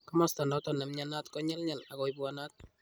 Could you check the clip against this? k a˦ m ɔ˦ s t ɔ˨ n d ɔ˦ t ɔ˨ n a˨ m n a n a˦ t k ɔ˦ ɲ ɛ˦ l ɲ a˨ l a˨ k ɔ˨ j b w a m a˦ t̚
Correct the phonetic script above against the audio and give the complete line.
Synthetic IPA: k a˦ m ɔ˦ s t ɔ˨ n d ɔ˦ t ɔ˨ n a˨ m ɲ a n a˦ t k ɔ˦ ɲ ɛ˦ l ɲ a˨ l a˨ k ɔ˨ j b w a n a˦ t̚